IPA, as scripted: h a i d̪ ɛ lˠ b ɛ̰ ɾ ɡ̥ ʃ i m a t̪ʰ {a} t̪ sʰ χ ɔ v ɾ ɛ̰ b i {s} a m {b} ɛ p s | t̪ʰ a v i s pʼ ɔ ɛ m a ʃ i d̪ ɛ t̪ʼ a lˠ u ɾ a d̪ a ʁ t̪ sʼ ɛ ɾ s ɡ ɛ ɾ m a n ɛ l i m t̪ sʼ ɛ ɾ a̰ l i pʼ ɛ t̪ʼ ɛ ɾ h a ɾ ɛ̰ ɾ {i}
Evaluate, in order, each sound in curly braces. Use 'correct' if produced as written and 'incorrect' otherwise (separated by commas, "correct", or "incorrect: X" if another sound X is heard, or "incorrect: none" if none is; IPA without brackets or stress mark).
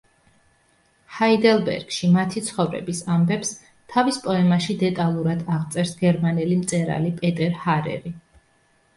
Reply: incorrect: i, correct, correct, correct